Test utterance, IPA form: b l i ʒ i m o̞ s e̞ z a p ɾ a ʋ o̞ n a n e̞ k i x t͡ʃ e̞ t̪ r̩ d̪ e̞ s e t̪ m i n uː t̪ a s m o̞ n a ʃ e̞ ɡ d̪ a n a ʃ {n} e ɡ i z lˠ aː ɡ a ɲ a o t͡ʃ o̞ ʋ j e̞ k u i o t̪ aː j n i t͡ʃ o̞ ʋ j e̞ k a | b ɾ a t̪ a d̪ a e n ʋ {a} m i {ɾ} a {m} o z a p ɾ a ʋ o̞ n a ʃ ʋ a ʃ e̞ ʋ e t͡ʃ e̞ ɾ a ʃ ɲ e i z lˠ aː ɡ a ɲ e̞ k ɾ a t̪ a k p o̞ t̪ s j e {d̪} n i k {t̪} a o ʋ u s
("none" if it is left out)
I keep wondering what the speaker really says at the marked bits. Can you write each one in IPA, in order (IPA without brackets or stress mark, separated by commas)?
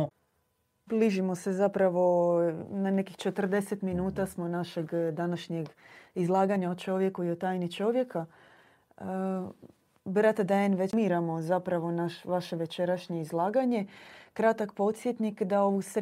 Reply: ɲ, e, ɾ, m, t̪, d̪